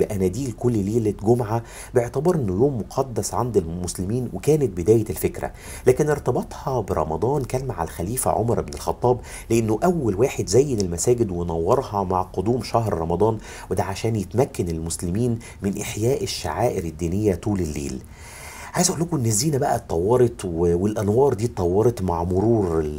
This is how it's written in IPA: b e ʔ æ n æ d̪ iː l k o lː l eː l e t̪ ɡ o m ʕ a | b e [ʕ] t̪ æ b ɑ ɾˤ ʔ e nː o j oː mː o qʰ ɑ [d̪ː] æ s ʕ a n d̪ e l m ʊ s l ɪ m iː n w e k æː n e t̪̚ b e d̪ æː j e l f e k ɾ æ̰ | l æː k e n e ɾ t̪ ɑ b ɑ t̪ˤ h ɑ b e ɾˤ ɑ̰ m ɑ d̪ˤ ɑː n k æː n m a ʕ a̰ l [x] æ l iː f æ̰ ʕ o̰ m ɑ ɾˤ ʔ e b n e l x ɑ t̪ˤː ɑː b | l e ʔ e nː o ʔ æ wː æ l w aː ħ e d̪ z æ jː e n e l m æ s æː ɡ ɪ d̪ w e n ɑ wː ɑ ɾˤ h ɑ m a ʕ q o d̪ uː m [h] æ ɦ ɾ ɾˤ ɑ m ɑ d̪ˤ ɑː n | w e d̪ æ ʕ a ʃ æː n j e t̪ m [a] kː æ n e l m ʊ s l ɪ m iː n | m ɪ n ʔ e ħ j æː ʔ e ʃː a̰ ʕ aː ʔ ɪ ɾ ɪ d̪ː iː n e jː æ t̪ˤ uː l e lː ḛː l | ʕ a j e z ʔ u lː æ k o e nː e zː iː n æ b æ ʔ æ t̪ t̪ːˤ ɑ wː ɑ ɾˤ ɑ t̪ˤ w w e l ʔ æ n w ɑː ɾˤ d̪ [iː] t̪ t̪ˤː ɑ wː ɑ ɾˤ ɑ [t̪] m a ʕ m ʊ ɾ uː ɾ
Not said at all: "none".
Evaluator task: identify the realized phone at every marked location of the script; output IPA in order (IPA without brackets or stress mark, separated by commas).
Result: ʕ, d̪ː, x, ʃ, æ, iː, t̪